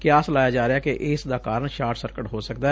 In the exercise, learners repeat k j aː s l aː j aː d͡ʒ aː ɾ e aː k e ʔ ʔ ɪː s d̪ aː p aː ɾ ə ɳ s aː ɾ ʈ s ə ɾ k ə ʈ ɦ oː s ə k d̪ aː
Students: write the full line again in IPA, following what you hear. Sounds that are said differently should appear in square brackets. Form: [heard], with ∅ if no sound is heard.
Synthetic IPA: k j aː s l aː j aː d͡ʒ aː ɾ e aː k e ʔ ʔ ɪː s d̪ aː [k] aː ɾ ə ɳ [ʃ] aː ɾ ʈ s ə ɾ k ə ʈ ɦ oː s ə k d̪ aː